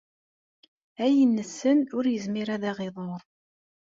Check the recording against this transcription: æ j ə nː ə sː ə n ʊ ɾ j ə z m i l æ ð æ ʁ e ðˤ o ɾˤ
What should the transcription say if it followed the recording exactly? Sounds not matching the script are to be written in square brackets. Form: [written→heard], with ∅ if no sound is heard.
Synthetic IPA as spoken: æ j ə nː ə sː ə n ʊ ɾ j ə z m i [l→ɾ] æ ð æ ʁ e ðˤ o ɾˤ